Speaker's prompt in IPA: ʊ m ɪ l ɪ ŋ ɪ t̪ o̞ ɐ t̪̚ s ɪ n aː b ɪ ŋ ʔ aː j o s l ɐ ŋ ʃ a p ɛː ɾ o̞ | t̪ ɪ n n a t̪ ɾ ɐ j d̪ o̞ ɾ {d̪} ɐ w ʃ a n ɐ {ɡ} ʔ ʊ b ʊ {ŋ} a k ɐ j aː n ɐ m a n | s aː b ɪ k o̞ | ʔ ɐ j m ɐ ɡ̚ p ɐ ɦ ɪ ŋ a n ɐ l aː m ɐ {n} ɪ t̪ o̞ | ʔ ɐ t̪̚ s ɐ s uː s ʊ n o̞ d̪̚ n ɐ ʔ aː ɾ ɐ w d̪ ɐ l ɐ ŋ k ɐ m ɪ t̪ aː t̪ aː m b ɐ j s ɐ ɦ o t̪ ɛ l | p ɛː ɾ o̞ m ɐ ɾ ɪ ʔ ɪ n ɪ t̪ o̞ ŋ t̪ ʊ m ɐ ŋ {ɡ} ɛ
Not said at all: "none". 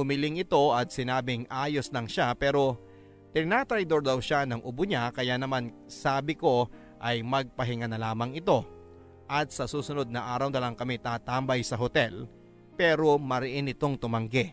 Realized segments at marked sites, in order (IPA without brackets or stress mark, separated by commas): d̪, ŋ, ɲ, ŋ, ɡ